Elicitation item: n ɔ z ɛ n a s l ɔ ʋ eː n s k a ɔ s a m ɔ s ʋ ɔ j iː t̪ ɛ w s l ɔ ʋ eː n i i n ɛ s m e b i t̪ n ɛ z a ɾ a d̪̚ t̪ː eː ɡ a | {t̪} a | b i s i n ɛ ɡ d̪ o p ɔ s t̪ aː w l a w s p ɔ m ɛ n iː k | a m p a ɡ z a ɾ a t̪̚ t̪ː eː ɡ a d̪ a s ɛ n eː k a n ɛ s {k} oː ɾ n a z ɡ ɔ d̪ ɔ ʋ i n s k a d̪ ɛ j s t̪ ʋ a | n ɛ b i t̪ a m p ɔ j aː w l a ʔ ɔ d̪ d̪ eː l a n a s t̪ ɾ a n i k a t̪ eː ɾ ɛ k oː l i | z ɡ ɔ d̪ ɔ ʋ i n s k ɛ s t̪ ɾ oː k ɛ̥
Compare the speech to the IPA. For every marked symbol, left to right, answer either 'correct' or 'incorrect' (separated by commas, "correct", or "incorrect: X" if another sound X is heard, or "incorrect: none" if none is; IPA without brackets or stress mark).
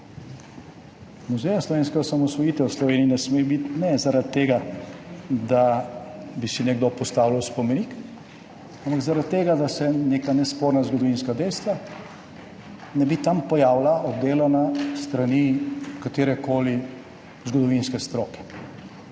incorrect: d̪, incorrect: p